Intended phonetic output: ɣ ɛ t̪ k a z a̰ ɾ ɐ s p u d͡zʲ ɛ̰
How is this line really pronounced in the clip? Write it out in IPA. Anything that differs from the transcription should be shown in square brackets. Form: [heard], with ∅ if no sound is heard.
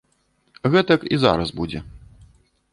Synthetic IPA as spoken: ɣ ɛ t̪ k [i] z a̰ ɾ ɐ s [b] u d͡zʲ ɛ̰